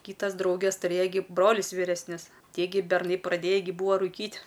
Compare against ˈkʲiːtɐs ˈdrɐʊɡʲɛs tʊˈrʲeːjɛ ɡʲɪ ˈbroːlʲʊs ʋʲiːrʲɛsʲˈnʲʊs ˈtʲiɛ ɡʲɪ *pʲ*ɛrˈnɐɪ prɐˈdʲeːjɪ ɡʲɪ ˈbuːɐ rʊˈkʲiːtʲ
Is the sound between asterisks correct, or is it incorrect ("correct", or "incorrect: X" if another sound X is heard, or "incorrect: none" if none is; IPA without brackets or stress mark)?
incorrect: bʲ